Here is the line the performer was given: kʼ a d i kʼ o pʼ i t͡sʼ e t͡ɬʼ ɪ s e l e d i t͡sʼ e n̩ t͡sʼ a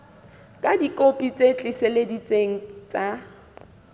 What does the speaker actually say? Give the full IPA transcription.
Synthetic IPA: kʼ a d i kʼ o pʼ i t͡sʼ e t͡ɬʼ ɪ s e l e d i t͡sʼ e ŋ̩ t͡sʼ a